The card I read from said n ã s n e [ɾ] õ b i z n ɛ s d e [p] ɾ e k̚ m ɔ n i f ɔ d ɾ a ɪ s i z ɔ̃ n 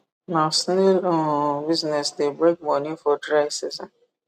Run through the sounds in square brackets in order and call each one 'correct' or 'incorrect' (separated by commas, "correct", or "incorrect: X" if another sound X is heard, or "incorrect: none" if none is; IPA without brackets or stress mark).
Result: incorrect: l, incorrect: b